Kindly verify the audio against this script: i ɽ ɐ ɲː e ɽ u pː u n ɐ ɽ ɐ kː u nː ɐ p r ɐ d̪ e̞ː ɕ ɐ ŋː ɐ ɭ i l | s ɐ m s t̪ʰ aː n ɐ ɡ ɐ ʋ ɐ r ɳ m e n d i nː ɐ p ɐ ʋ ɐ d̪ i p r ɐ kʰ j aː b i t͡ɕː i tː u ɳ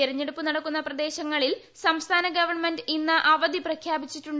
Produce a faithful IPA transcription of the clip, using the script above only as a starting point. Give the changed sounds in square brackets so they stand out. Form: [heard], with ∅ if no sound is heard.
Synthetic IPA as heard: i [ɾ] ɐ ɲː e ɽ u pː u n ɐ ɽ ɐ kː u nː ɐ p r ɐ d̪ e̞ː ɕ ɐ ŋː ɐ ɭ i l | s ɐ m s t̪ʰ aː n ɐ ɡ ɐ ʋ ɐ r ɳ m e n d i nː ɐ [ʔ] ɐ ʋ ɐ d̪ i p r ɐ kʰ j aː b i t͡ɕː i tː u ɳ

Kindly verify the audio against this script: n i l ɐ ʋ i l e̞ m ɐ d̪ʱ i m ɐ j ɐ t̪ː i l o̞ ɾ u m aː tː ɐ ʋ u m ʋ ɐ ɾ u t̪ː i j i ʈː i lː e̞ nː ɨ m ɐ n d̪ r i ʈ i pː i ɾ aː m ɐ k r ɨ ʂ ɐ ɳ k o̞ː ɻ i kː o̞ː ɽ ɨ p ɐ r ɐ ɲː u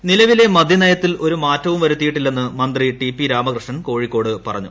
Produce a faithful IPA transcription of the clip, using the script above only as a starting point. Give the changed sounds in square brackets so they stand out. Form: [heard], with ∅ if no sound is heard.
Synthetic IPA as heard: n i l ɐ ʋ i l e̞ m ɐ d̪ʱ i [n] ɐ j ɐ t̪ː i l o̞ ɾ u m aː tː ɐ ʋ u m ʋ ɐ ɾ u t̪ː i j i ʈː i lː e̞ nː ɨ m ɐ n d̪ r i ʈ i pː i ɾ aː m ɐ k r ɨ ʂ ɐ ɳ k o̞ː ɻ i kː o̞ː ɽ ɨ p ɐ r ɐ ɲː u

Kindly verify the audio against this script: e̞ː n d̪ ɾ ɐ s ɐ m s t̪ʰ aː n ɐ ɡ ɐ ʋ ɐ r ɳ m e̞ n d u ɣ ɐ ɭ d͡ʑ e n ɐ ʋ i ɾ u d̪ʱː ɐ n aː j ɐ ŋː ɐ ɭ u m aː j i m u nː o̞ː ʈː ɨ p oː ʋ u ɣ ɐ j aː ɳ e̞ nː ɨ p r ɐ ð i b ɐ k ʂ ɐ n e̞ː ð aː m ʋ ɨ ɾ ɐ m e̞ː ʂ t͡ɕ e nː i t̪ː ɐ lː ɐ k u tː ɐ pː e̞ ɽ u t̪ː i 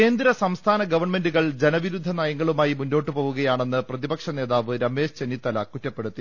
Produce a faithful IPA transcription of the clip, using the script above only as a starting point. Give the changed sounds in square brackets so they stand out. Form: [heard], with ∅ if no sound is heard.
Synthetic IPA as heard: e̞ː n d̪ ɾ ɐ s ɐ m s t̪ʰ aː n ɐ ɡ ɐ ʋ ɐ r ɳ m e̞ n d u ɣ ɐ ɭ d͡ʑ e n ɐ ʋ i ɾ u d̪ʱː ɐ n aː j ɐ ŋː ɐ ɭ u m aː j i m u nː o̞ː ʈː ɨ p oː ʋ u ɣ ɐ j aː ɳ e̞ nː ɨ p r ɐ ð i b ɐ k ʂ ɐ n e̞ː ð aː [∅] ʋ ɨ ɾ ɐ m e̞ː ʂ t͡ɕ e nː i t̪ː ɐ [l] ɐ k u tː ɐ pː e̞ ɽ u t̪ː i

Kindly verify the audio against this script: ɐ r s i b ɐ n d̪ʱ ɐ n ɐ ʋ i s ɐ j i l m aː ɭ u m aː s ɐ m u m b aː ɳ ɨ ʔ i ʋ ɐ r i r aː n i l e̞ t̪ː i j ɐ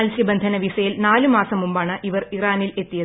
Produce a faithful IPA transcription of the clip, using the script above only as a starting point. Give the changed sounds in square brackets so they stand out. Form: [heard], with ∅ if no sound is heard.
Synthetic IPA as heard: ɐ [l] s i b ɐ n d̪ʱ ɐ n ɐ ʋ i s ɐ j i l [n] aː [l] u m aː s ɐ m u m b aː ɳ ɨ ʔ i ʋ ɐ r i r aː n i l e̞ t̪ː i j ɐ

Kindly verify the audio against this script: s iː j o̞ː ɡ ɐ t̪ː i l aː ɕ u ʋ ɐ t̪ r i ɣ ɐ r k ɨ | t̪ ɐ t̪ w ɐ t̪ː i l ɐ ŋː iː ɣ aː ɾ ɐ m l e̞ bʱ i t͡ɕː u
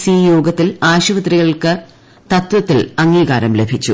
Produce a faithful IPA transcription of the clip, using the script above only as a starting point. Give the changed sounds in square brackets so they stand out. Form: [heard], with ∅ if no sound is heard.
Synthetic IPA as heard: s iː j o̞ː ɡ ɐ t̪ː i l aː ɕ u ʋ ɐ t̪ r i ɣ ɐ [ɭ] k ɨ | t̪ ɐ t̪ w ɐ t̪ː i l ɐ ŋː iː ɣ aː ɾ ɐ m l e̞ bʱ i t͡ɕː u

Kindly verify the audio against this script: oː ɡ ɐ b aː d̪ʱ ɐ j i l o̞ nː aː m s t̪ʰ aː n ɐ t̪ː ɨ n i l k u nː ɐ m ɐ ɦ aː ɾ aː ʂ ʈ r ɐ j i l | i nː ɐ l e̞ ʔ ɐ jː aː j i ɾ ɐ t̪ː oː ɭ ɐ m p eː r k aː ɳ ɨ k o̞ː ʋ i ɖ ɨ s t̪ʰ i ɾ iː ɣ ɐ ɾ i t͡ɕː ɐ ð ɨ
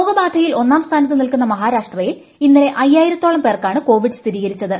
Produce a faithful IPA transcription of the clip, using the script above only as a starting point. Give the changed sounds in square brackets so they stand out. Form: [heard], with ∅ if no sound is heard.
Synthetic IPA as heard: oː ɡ ɐ b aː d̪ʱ ɐ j i l o̞ nː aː m s t̪ʰ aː n ɐ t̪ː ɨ n i l k u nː ɐ m ɐ ɦ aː ɾ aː ʂ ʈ r ɐ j i l | i nː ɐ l e̞ ʔ ɐ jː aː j i ɾ ɐ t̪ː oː ɭ ɐ m p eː r k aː ɳ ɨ k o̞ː ʋ i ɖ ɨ s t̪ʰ i ɾ iː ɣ ɐ ɾ i t͡ɕː ɐ ð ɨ

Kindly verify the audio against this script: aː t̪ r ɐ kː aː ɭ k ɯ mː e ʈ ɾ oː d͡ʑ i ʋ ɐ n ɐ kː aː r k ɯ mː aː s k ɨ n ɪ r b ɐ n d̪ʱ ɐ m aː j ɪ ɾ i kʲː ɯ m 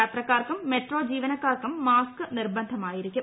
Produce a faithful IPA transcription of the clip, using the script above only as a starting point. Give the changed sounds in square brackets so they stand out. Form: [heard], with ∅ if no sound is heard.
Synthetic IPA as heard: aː t̪ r ɐ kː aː [r] k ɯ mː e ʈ [r] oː d͡ʑ [iː] ʋ ɐ n ɐ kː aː r k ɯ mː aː s k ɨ n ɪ r b ɐ n d̪ʱ ɐ m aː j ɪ ɾ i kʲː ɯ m

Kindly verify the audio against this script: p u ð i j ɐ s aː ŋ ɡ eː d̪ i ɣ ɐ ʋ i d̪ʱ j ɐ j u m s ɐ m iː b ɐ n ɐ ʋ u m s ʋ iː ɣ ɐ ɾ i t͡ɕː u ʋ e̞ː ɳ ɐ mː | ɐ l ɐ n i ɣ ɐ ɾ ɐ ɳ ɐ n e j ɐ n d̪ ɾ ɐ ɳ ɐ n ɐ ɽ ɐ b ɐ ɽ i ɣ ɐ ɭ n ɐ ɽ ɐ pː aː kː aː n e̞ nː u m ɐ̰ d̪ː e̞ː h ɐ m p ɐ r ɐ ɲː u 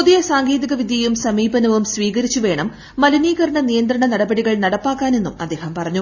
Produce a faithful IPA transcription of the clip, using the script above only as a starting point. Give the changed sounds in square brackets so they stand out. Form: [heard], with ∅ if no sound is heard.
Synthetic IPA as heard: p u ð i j ɐ s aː ŋ ɡ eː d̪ i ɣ ɐ ʋ i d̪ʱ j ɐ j u m s ɐ m iː b ɐ n ɐ ʋ u m s ʋ iː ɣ ɐ ɾ i t͡ɕː u ʋ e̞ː ɳ ɐ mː | ɐ l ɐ n [iː] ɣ ɐ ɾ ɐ ɳ ɐ n [i] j ɐ n d̪ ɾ ɐ ɳ ɐ n ɐ ɽ ɐ b ɐ ɽ i ɣ ɐ ɭ n ɐ ɽ ɐ pː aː kː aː n e̞ nː u m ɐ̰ d̪ː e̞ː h ɐ m p ɐ r ɐ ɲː u

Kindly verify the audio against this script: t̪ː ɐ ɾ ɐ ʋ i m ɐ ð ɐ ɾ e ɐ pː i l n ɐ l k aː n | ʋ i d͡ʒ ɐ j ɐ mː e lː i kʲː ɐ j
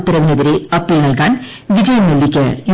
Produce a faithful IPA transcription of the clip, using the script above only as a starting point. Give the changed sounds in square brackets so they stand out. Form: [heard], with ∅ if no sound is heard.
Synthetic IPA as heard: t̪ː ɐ ɾ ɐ ʋ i [n] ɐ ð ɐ ɾ e ɐ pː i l n ɐ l k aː n | ʋ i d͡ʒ ɐ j ɐ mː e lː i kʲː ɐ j

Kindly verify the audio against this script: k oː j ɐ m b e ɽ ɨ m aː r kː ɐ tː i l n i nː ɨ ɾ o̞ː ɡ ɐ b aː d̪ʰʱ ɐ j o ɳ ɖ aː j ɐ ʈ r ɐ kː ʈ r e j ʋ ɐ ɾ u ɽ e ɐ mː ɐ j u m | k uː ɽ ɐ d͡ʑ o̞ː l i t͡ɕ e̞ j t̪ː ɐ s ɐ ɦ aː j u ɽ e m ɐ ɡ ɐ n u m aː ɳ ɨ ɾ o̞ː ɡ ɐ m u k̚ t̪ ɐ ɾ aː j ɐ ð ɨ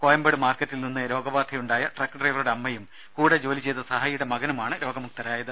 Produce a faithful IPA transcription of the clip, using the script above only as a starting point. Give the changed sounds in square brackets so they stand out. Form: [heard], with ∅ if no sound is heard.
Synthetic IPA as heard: k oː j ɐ m b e ɽ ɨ m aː r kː ɐ tː i l n i nː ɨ ɾ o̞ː ɡ ɐ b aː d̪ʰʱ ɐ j [u] ɳ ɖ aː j ɐ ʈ r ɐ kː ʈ r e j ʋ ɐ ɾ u ɽ e ɐ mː ɐ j u m | k uː ɽ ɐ d͡ʑ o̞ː l i t͡ɕ e̞ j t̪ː ɐ s ɐ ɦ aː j u ɽ e m ɐ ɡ ɐ n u m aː ɳ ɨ ɾ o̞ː ɡ ɐ m u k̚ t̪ ɐ ɾ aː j ɐ ð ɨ

